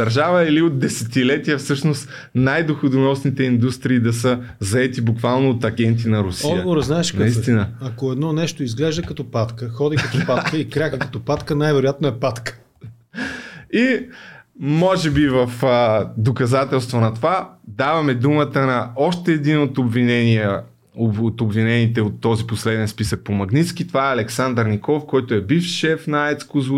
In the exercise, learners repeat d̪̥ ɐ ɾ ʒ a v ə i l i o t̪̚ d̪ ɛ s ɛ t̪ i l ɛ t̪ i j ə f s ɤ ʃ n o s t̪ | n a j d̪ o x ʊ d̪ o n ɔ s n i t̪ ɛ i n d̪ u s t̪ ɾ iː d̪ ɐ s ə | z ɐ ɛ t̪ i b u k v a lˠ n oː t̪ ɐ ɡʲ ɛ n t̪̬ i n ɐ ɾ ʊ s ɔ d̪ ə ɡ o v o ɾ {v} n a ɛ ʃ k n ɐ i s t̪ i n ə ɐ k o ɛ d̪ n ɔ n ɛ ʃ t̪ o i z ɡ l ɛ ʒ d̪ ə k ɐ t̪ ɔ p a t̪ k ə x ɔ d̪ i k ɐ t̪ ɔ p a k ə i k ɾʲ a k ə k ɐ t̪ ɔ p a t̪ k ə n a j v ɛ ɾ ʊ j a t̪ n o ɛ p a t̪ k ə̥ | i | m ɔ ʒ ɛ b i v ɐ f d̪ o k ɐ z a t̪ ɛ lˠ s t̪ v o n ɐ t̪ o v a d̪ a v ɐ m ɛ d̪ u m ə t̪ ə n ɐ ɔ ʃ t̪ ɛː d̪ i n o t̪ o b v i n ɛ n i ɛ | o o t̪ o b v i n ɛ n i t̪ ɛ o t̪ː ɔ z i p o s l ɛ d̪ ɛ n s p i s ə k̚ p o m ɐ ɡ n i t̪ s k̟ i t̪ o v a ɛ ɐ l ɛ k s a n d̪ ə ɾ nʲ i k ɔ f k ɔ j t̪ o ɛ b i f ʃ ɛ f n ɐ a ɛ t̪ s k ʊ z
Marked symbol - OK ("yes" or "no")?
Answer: no